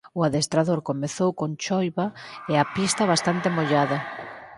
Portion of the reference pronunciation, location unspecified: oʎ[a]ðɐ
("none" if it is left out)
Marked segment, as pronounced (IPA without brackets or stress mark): a